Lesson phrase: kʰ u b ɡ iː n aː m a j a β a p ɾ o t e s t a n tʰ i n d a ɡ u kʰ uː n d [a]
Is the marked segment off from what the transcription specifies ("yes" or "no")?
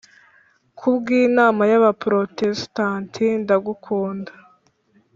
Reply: no